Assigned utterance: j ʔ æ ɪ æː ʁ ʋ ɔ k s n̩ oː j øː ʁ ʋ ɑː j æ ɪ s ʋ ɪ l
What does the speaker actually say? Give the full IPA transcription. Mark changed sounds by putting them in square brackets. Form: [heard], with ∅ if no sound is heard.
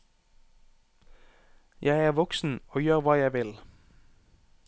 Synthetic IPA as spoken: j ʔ æ ɪ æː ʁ ʋ ɔ k s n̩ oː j øː ʁ ʋ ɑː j æ ɪ [∅] ʋ ɪ l